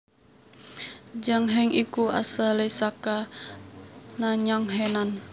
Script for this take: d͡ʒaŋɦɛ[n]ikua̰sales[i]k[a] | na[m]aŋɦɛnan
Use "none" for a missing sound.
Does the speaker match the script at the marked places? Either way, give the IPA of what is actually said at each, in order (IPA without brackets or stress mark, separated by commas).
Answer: ŋ, a, a, ɲ